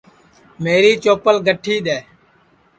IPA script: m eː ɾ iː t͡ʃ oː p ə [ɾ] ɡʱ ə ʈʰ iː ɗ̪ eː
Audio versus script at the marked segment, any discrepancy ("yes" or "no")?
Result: yes